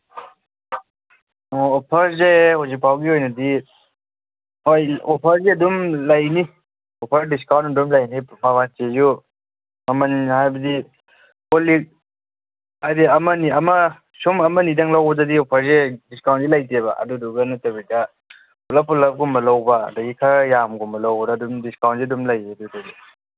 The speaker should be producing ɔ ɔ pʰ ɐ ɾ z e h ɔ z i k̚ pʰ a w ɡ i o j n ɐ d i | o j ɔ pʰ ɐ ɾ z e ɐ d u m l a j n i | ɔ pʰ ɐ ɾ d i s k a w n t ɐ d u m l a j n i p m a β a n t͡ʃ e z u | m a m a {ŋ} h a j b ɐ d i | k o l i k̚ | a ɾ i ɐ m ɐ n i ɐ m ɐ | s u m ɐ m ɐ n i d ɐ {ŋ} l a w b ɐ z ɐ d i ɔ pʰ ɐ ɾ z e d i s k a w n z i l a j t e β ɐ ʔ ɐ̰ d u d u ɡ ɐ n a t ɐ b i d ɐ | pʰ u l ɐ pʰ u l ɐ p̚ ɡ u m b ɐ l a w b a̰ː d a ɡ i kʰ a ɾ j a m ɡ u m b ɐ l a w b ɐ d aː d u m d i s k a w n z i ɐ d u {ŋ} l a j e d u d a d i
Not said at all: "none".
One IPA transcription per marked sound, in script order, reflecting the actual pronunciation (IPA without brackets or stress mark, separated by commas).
n, ŋ, m